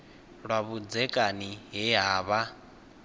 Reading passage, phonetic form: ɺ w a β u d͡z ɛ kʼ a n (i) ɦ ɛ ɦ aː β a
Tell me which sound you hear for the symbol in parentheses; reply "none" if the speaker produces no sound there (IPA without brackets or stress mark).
i